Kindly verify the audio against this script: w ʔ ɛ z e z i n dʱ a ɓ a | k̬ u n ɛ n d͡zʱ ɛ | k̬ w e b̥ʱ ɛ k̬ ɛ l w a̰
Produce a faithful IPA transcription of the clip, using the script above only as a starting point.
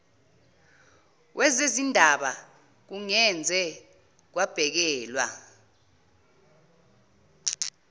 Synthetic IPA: w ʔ ɛ z e z i n dʱ a ɓ a | k̬ u ŋ ɛ n d͡zʱ ɛ | k̬ w a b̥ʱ ɛ k̬ ɛː l w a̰